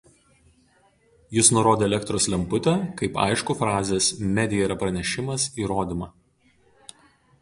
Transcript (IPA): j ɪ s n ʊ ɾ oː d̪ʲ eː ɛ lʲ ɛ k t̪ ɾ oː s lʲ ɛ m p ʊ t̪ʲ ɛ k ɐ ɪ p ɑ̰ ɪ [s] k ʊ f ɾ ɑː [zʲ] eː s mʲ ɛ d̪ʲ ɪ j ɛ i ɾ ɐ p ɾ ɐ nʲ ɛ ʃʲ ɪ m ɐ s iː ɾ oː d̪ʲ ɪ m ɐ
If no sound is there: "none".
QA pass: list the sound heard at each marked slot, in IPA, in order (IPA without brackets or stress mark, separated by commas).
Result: ʃ, zʲ